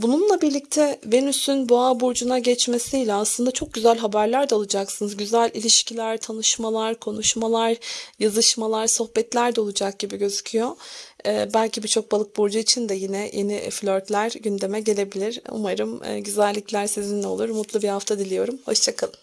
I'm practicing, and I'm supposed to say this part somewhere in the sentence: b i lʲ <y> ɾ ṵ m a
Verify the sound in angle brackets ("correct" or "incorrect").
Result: incorrect